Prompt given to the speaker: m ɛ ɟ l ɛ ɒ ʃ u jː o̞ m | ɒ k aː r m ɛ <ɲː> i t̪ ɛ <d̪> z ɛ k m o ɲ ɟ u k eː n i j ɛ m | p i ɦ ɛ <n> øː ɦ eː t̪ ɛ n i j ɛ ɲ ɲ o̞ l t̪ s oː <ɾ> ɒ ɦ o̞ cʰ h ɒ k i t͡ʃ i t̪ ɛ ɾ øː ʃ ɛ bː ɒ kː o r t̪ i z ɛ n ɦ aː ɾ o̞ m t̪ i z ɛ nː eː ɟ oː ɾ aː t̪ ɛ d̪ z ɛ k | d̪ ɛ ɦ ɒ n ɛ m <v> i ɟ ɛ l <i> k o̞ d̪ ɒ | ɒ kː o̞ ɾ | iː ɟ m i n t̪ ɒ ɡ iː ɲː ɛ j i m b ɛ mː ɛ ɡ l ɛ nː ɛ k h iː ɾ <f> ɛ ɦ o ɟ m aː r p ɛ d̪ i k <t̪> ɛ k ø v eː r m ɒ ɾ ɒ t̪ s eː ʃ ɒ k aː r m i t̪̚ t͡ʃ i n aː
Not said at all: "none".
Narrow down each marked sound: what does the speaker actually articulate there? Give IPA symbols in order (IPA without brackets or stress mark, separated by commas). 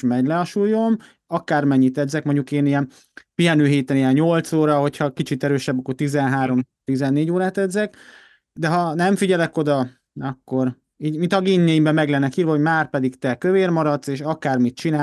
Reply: ɲː, d̪, n, ɾ, f, ɛ, v, t̪